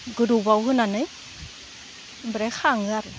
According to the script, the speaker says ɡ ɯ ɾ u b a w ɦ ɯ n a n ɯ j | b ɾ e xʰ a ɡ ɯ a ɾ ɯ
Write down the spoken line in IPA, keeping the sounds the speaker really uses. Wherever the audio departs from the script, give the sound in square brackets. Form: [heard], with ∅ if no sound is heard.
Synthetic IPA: ɡ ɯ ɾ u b a w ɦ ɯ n a n ɯ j | b ɾ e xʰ a [ŋ] ɯ a ɾ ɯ